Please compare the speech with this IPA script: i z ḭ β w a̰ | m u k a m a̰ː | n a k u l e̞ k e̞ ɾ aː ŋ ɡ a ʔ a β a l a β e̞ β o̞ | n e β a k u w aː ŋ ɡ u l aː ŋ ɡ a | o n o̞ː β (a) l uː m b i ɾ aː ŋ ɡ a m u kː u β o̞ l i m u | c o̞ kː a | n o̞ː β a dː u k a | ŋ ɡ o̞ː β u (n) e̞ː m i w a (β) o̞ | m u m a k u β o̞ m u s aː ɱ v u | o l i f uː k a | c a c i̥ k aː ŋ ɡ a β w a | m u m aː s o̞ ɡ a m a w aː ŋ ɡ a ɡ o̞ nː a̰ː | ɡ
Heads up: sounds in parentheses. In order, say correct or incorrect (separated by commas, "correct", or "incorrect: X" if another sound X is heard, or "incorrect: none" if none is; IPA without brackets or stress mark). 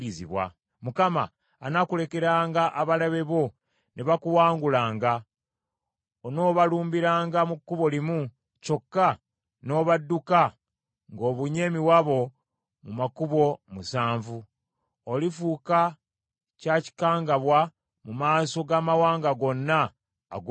correct, incorrect: ɲ, correct